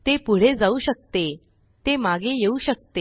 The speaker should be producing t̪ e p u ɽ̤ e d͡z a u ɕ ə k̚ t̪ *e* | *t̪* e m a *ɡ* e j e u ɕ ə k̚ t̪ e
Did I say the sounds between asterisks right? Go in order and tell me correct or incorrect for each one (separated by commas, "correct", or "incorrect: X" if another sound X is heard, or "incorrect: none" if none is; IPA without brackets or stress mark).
correct, correct, correct